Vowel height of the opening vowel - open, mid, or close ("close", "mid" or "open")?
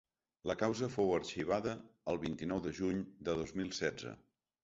mid